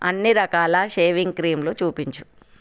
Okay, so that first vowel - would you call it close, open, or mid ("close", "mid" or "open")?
open